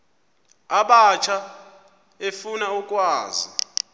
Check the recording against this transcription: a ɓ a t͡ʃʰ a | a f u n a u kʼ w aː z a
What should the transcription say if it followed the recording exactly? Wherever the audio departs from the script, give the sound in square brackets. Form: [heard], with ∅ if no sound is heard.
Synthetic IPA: a ɓ a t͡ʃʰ a | [e] f u n a u kʼ w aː z [i]

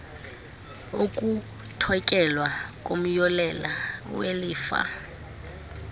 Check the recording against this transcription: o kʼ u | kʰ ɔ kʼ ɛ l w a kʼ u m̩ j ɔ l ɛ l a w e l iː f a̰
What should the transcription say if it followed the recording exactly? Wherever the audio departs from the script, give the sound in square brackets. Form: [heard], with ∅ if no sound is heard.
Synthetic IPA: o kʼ u | [tʰ] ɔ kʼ ɛ l w a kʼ [o] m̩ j ɔ l ɛ l a w e l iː f a̰

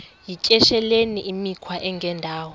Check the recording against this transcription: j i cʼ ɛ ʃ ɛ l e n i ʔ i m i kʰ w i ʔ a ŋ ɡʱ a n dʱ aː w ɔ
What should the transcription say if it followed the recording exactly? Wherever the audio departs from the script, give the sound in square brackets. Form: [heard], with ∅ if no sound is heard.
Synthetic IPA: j i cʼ ɛ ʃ ɛ l e n i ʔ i m i kʰ w [a] ʔ [ɛ] ŋ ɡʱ [ɛ] n dʱ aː w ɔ

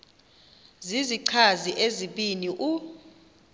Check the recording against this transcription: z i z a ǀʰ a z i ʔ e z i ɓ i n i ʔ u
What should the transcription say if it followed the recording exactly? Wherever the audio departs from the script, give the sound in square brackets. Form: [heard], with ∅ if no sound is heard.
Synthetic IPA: z i z [i] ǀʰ a z i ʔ e z i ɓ i n i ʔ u

